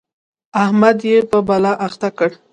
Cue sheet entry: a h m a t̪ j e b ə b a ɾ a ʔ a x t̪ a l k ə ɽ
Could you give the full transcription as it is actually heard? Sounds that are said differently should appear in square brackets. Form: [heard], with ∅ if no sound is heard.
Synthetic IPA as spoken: a h m a [d̪] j e [p] ə b a [l] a ʔ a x t̪ a [∅] k ə ɽ